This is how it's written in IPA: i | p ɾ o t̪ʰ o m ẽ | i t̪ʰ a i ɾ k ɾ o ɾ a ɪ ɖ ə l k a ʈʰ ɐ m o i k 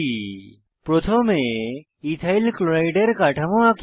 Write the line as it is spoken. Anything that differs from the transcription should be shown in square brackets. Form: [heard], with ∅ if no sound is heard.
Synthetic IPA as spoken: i | p ɾ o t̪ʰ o m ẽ | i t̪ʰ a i [l] k [l] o ɾ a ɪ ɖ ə [ɾ] k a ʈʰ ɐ m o [a] k

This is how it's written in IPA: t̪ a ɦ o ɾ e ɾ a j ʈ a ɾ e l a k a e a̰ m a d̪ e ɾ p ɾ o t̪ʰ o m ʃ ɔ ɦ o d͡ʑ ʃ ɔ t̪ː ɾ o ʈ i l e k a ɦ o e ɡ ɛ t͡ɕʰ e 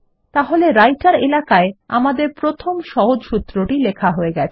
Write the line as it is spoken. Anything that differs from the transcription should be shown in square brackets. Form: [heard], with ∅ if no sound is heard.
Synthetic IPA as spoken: t̪ a ɦ o [l] e ɾ a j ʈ a ɾ e l a k a e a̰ m a d̪ e ɾ p ɾ o t̪ʰ o m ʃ ɔ ɦ o d͡ʑ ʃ [u] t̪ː ɾ o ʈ i l e [kʰ] a ɦ o e ɡ ɛ t͡ɕʰ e

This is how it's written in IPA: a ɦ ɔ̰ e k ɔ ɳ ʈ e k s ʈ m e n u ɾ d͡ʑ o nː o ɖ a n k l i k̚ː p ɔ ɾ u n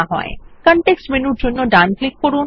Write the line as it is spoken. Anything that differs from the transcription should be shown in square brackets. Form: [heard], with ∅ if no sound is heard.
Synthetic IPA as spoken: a ɦ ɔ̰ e k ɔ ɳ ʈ e k s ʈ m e n u ɾ d͡ʑ o nː o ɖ a n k l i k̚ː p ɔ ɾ u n

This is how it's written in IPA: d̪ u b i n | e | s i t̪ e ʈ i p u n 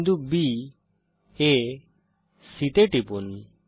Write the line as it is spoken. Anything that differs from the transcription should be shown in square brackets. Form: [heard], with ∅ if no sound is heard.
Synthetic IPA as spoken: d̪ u b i [∅] | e | s i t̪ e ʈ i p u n

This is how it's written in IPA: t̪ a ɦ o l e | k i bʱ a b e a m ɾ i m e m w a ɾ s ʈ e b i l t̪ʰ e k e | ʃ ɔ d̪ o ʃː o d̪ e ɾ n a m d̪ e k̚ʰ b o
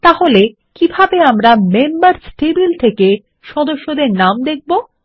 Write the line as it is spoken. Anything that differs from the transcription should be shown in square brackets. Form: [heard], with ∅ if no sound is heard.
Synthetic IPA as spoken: t̪ a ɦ o l e | k i bʱ a b e a m ɾ [a] m e m [b] a ɾ s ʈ e b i l t̪ʰ e k e | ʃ ɔ d̪ o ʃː o d̪ e ɾ n a m d̪ e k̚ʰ b o

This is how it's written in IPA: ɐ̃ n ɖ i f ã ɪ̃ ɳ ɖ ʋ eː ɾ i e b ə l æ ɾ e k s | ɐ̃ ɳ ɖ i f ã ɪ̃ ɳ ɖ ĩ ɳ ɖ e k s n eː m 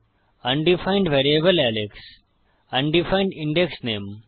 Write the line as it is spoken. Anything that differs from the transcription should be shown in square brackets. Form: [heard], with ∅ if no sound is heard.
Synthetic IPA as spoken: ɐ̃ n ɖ i f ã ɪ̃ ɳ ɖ ʋ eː ɾ i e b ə l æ [l] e k s | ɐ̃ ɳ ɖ i f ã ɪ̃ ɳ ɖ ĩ ɳ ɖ e k s n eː m

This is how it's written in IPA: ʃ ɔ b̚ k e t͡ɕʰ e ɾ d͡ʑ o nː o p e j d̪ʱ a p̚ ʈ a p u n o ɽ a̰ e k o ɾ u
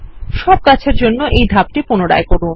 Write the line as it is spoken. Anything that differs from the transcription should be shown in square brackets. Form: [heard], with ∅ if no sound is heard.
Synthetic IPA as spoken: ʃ ɔ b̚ k [a] t͡ɕʰ e ɾ d͡ʑ o nː o [ʔ] e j d̪ʱ a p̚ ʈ [i] p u n o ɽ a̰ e k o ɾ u

